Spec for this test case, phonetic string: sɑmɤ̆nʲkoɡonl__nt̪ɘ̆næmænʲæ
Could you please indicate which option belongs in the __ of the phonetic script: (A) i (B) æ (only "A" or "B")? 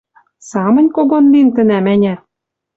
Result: A